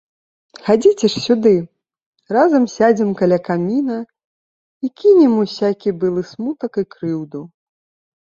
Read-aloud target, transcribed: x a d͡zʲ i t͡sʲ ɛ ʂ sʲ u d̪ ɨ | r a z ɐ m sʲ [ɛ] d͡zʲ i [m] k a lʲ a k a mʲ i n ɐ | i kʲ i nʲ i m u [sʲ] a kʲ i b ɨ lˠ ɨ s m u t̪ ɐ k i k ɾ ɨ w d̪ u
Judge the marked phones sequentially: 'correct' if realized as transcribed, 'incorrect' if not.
incorrect: a, correct, correct

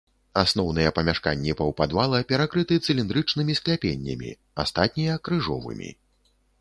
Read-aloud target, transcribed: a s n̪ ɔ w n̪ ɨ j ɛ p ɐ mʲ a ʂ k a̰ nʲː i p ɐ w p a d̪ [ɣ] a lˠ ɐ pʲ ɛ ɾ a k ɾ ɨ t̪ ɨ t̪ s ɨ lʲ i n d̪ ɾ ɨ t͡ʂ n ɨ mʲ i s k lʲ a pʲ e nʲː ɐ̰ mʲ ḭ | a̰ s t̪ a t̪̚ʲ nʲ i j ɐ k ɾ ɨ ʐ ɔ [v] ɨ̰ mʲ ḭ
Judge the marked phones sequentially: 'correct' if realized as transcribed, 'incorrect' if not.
incorrect: v, correct

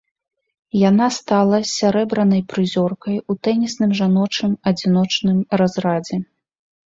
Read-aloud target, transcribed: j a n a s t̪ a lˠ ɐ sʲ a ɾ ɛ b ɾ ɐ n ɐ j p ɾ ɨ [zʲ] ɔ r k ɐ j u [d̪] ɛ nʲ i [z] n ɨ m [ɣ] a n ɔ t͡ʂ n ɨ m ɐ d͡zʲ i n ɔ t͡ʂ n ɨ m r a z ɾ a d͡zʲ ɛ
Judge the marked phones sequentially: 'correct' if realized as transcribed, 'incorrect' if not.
correct, incorrect: t̪, incorrect: s, incorrect: ʐ

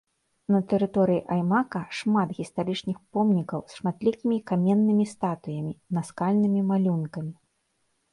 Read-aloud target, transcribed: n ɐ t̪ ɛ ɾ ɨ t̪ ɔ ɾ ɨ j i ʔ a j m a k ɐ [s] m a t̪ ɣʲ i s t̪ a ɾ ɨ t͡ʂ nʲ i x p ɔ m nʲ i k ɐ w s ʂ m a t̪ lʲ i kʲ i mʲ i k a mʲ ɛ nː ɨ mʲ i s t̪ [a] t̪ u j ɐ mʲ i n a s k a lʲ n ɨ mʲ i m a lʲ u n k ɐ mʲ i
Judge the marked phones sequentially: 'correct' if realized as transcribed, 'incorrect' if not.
incorrect: ʂ, correct

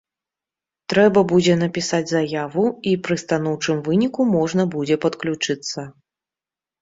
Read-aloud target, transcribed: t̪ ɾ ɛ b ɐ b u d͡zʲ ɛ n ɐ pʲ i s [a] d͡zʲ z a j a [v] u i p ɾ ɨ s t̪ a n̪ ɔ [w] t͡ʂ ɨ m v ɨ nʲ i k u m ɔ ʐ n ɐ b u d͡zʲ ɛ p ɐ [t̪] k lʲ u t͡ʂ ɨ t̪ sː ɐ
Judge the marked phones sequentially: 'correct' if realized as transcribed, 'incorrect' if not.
correct, correct, correct, correct

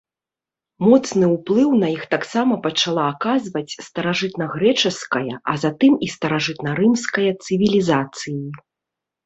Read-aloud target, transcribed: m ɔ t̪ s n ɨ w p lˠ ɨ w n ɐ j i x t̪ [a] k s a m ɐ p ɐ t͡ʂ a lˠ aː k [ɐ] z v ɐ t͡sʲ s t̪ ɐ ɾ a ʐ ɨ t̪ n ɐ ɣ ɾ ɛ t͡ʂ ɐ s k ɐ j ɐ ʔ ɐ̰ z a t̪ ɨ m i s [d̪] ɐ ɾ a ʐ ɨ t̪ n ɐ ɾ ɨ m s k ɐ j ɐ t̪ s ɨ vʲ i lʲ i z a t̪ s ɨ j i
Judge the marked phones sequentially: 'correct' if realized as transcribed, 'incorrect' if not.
correct, incorrect: a, incorrect: t̪

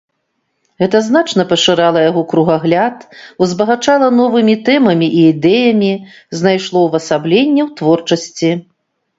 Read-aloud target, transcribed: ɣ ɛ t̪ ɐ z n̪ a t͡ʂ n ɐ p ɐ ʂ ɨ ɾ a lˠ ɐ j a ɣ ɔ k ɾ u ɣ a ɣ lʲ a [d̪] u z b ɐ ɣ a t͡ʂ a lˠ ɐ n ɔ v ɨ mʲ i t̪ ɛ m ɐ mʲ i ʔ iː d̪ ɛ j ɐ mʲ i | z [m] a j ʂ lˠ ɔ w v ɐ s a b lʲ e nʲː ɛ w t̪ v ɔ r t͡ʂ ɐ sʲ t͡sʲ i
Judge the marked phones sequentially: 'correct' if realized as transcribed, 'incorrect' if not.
incorrect: t̪, incorrect: n

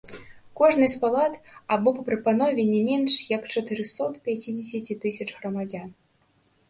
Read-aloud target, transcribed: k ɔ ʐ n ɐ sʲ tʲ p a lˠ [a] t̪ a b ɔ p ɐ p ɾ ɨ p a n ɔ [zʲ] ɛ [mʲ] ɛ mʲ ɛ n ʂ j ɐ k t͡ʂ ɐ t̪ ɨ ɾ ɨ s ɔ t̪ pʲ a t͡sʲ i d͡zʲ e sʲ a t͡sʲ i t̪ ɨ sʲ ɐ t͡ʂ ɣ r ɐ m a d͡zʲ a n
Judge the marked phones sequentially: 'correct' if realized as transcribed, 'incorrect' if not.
correct, incorrect: vʲ, incorrect: nʲ

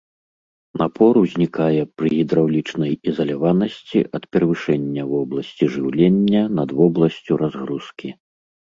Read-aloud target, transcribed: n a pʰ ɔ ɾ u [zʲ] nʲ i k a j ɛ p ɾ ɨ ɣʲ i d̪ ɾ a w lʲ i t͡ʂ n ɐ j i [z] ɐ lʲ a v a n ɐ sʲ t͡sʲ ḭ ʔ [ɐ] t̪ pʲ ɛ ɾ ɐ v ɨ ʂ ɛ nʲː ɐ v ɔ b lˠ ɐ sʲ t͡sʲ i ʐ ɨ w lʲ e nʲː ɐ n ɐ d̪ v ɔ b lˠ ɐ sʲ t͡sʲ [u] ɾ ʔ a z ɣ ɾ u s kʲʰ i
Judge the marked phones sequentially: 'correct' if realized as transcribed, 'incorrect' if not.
correct, correct, correct, correct

